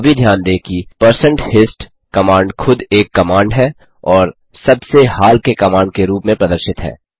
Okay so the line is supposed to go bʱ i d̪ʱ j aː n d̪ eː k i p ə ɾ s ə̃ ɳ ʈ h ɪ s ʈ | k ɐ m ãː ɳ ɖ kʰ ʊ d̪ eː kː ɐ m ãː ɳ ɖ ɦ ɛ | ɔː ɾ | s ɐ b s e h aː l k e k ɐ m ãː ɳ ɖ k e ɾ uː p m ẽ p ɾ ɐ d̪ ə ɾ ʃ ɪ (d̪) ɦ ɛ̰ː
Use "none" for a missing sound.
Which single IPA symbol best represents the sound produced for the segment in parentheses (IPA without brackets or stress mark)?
t̪